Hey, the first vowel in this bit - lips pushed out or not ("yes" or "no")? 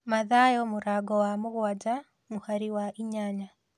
no